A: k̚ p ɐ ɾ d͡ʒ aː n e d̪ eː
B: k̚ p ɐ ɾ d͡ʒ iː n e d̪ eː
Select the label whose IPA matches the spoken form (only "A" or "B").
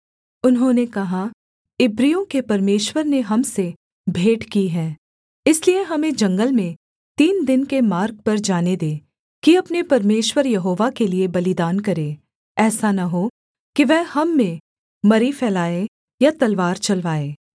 A